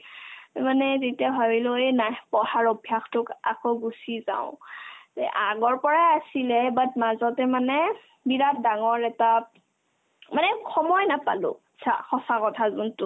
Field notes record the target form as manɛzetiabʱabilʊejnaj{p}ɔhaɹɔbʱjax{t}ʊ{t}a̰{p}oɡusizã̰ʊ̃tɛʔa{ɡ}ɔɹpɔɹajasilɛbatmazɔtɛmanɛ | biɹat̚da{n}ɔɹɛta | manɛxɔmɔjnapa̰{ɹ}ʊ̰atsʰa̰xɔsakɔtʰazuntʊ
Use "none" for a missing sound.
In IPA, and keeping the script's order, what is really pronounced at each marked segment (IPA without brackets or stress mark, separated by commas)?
p, t, k, k, ɡ, ŋ, l